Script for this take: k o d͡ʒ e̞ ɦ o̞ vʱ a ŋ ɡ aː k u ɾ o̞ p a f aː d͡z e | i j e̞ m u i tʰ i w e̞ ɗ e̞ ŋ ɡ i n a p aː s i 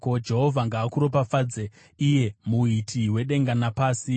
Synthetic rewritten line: k o d͡ʒ e̞ ɦ o̞ vʱ a ŋ ɡ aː k u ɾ o̞ p a f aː d͡z e | i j e̞ m u i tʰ i w e̞ ɗ e̞ ŋ ɡ a n a p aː s i